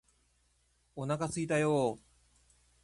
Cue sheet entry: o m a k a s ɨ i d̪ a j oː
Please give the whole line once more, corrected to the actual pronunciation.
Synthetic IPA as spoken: o n a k a s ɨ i t̪ a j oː

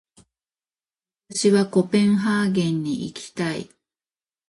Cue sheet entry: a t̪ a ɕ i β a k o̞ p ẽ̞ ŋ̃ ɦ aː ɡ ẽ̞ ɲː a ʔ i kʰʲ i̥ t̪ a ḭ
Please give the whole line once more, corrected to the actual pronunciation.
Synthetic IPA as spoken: a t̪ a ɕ i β a k o̞ p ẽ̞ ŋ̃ ɦ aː ɡ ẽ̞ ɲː i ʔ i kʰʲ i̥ t̪ a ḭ

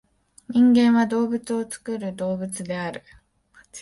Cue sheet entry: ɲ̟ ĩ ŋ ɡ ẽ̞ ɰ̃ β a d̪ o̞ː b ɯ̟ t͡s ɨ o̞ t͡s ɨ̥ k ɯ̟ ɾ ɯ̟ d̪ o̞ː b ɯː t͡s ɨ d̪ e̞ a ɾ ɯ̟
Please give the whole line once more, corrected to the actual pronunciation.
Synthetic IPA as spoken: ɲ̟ ĩ ŋ ɡ ẽ̞ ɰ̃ β a d̪ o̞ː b ɯ̟ t͡s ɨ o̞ t͡s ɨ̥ k ɯ̟ ɾ ɯ̟ d̪ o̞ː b ɯ t͡s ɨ d̪ e̞ a ɾ ɯ̟

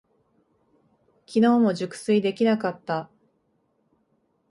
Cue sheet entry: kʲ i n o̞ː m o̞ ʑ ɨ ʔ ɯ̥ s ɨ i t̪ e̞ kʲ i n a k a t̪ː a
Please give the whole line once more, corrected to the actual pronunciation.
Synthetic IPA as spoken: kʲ i n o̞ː m o̞ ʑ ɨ k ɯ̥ s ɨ i d̪ e̞ kʲ i n a k a t̪ː a

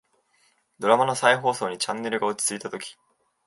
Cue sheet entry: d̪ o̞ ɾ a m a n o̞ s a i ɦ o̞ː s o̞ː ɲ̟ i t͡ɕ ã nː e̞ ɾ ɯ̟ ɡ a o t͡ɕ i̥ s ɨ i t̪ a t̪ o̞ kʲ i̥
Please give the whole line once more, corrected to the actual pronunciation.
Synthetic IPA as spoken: d̪ o̞ ɾ a m a n o̞ s a i ɦ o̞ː s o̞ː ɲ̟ i t͡ɕ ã nː e̞ ɾ ɯ̟ ɡ a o t͡ɕ i̥ t͡s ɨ i t̪ a t̪ o̞ kʲ i̥

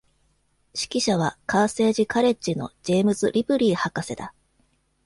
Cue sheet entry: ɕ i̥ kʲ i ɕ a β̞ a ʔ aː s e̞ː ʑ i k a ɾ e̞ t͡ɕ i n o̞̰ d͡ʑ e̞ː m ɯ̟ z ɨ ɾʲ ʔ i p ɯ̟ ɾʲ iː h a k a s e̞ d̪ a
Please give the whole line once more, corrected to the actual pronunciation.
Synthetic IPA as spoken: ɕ i̥ kʲ i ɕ a β̞ a k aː s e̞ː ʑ i k a ɾ e̞ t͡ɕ i n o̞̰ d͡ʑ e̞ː m ɯ̟ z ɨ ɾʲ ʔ i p ɯ̟ ɾʲ iː h a k a s e̞ d̪ a

